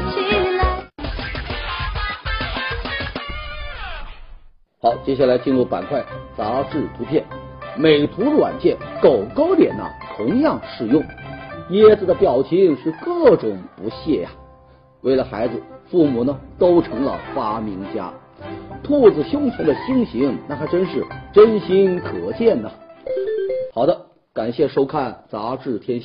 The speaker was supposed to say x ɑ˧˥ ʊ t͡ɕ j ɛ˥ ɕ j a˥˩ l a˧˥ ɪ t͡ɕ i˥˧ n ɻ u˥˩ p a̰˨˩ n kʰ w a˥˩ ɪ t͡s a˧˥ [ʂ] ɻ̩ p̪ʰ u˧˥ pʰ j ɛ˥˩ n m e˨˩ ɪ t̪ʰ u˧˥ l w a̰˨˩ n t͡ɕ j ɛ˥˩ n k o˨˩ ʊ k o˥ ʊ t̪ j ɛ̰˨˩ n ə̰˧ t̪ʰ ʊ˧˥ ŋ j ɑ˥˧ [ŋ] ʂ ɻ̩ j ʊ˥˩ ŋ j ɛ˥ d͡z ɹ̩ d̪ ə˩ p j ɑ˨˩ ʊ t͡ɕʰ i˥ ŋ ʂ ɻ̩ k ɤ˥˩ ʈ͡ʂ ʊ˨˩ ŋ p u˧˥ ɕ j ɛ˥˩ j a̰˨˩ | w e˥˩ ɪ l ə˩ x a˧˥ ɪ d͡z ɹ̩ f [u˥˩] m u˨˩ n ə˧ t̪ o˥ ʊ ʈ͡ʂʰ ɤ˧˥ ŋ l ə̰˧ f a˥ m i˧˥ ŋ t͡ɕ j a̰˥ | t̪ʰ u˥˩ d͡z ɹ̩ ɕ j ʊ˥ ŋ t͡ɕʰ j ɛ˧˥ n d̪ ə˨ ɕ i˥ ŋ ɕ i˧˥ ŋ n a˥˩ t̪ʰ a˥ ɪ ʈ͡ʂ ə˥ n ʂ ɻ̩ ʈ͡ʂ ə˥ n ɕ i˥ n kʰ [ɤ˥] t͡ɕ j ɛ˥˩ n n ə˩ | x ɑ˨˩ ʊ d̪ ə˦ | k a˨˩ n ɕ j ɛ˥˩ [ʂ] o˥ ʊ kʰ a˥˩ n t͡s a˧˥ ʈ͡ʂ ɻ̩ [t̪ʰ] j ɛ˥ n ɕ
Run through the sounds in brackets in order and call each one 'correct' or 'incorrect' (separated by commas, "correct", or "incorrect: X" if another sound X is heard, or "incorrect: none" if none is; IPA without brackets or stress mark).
incorrect: ʈ͡ʂ, correct, correct, incorrect: ɤ˨˩, correct, correct